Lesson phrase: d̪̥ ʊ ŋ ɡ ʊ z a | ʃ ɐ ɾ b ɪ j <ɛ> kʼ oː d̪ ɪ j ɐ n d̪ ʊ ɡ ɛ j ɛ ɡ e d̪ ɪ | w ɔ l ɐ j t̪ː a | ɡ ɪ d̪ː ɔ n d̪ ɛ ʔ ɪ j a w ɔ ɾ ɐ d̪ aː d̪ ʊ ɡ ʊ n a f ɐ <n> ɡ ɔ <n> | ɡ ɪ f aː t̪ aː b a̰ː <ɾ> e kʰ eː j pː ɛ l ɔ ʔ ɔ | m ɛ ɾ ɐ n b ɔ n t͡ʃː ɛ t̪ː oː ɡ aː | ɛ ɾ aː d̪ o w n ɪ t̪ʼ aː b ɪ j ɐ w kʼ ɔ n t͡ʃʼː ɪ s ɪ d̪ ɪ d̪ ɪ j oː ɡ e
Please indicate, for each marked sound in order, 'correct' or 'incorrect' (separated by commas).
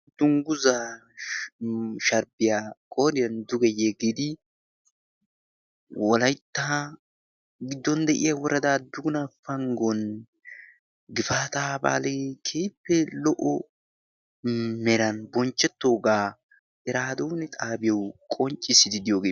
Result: incorrect, incorrect, correct, incorrect